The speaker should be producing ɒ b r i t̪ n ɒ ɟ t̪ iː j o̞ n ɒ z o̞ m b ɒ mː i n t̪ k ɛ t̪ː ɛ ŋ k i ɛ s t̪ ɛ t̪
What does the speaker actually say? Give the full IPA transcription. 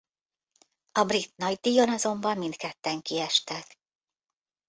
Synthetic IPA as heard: ɒ b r i t̪ n ɒ ɟ d̪ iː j o̞ n ɒ z o̞ m b ɒ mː i n t̪ k ɛ t̪ː ɛ ŋ k i ɛ ʃ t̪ ɛ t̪